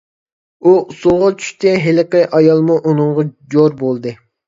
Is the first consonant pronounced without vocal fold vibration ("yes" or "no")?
yes